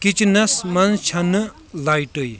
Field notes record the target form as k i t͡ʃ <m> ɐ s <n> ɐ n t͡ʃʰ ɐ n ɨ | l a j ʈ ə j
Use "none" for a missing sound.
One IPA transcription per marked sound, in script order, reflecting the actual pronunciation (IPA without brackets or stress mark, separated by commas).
n, m